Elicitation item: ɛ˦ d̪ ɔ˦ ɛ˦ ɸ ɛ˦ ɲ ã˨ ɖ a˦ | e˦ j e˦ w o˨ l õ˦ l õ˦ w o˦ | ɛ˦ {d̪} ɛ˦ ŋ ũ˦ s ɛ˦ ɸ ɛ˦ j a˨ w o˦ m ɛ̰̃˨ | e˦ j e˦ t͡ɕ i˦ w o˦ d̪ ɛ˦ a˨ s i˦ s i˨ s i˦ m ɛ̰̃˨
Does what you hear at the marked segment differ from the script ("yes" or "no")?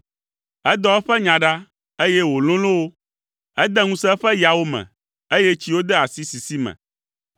no